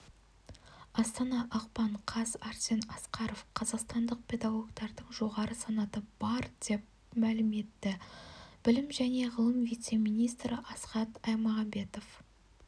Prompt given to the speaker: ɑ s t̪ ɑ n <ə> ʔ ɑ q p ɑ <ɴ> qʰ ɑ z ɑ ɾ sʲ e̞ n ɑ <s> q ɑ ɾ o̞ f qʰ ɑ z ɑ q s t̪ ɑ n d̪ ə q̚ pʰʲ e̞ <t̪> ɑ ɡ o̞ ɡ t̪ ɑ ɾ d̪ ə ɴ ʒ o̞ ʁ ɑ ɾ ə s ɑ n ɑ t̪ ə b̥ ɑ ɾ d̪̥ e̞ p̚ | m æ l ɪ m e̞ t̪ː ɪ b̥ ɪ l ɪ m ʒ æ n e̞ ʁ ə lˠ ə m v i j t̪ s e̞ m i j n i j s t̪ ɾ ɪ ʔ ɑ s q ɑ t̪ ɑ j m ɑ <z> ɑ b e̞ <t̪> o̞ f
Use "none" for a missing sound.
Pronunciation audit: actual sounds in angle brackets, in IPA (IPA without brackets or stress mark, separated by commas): ɑ, ɴ, s, d̪, ʁ, t̪